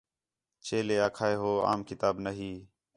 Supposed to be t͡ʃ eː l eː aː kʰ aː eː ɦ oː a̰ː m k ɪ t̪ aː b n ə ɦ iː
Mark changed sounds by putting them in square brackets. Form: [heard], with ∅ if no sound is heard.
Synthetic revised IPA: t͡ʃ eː l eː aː kʰ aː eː ɦ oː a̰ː m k ɪ t̪ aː b n ə ɦ iː